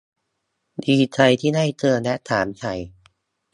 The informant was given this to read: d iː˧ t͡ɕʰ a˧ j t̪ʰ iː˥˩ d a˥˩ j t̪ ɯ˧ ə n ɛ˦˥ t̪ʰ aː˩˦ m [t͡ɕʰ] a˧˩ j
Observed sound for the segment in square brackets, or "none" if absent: t͡ɕʰ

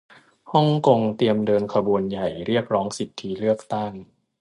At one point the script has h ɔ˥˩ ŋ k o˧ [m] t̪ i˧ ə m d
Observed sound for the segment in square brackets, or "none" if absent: ŋ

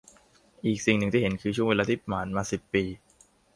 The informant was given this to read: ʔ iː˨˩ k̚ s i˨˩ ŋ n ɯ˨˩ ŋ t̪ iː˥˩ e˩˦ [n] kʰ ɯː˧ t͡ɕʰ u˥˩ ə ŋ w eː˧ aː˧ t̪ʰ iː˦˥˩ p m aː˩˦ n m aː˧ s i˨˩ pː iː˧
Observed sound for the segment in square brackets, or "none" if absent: n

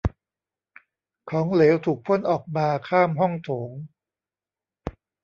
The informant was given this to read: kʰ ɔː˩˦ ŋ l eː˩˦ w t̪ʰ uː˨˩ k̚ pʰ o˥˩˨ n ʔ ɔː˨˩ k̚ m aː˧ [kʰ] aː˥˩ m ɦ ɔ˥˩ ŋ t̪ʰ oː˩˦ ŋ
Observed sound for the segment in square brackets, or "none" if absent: kʰ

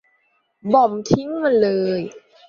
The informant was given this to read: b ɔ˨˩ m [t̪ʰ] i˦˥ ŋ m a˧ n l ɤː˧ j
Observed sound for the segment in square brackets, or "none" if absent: t̪ʰ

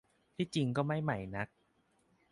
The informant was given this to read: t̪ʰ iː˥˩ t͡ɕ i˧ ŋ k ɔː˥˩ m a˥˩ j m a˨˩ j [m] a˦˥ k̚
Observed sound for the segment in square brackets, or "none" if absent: n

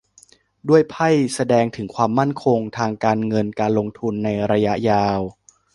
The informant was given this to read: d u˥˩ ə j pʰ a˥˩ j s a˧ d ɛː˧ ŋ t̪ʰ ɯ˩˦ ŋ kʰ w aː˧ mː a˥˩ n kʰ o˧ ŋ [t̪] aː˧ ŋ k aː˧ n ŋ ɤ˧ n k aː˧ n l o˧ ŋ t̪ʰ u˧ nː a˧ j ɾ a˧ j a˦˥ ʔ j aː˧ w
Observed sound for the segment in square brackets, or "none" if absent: t̪ʰ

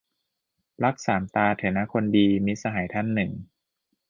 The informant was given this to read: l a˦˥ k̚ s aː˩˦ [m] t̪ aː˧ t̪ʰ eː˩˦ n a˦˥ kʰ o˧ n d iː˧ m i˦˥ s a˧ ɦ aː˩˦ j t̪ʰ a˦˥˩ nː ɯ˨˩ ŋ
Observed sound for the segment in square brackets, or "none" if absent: m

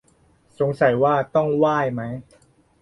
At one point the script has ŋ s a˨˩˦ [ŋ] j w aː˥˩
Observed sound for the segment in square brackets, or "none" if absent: none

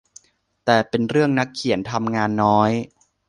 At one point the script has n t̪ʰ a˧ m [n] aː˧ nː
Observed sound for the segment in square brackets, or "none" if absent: ŋ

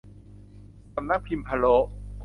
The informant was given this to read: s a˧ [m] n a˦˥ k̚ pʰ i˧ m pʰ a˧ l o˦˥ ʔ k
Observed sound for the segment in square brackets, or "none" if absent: m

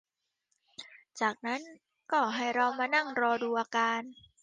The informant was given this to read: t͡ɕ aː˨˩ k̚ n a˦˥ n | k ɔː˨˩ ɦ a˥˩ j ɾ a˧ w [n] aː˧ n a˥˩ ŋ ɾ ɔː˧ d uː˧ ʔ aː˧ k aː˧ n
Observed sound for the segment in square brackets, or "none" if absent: m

